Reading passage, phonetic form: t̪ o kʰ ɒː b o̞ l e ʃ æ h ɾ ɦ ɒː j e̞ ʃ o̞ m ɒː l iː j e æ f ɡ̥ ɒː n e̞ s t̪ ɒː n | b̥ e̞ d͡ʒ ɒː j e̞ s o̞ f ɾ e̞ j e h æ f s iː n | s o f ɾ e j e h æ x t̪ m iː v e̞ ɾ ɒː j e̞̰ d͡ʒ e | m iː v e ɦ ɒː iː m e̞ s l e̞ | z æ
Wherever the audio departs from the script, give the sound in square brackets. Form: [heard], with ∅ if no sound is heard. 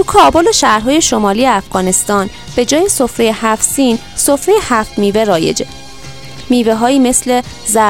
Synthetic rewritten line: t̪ [u] kʰ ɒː b o̞ l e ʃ æ h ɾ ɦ ɒː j e̞ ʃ o̞ m ɒː l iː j e æ f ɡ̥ ɒː n e̞ s t̪ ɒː n | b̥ e̞ d͡ʒ ɒː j e̞ s o̞ f ɾ e̞ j e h æ f s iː n | s o f ɾ e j e h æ [f] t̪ m iː v e̞ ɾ ɒː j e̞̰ d͡ʒ e | m iː v e ɦ ɒː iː m e̞ s l e̞ | z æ